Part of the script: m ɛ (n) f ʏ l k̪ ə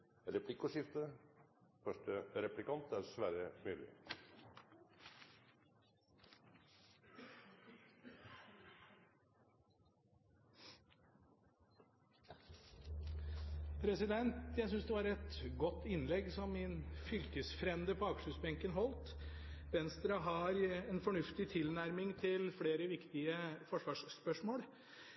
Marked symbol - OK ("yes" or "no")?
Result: yes